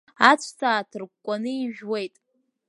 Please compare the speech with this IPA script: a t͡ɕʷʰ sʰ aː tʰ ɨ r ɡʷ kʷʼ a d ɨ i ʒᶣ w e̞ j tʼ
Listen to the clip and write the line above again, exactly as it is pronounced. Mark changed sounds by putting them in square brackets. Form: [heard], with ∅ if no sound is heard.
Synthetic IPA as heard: a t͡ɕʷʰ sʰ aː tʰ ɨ r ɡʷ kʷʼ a [n] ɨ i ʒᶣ w e̞ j tʼ